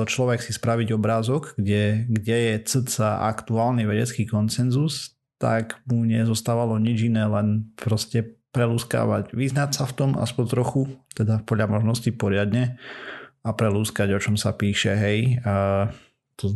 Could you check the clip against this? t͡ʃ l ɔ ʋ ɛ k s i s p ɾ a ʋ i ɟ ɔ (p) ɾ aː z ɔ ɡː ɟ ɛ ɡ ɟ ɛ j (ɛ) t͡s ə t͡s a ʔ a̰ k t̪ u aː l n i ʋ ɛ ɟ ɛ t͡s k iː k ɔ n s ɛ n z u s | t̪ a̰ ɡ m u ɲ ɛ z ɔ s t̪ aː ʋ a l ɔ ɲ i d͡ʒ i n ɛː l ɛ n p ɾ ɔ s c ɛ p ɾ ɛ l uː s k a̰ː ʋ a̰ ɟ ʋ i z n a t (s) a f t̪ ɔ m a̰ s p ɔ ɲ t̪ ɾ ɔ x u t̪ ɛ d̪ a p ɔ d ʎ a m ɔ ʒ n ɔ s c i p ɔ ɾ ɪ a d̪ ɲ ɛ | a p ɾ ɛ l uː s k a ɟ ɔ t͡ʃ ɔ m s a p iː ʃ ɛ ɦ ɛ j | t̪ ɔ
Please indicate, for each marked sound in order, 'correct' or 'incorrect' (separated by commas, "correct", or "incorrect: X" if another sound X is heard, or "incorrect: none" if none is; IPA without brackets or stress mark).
incorrect: b, correct, correct